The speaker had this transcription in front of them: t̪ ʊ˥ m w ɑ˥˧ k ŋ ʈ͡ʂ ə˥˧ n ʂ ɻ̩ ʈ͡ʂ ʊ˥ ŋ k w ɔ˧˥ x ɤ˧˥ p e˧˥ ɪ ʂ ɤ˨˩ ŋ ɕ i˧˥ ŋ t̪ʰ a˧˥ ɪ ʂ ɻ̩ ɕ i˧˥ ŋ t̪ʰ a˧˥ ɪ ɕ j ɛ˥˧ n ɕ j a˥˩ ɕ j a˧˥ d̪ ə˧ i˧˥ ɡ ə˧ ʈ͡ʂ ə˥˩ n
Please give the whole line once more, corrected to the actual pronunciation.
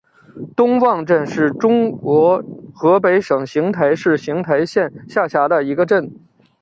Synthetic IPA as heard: t̪ ʊ˥ ŋ w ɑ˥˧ ŋ ʈ͡ʂ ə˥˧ n ʂ ɻ̩ ʈ͡ʂ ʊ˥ ŋ k w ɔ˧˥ x ɤ˧˥ p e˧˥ ɪ ʂ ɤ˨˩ ŋ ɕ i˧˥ ŋ t̪ʰ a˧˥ ɪ ʂ ɻ̩ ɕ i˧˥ ŋ t̪ʰ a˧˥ ɪ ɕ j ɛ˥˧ n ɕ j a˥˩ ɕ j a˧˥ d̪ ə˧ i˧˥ ɡ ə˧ ʈ͡ʂ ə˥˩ n

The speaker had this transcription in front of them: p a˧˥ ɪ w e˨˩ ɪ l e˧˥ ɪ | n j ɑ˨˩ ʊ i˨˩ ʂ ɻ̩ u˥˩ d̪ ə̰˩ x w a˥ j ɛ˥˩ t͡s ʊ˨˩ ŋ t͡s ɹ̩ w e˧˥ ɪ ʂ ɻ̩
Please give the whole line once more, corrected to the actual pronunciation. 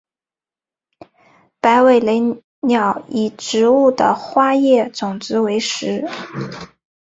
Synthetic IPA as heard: p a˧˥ ɪ w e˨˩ ɪ l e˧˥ ɪ | n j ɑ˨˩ ʊ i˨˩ ʈ͡ʂ ɻ̩ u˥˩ d̪ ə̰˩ x w a˥ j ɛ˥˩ t͡s ʊ˨˩ ŋ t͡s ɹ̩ w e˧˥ ɪ ʂ ɻ̩

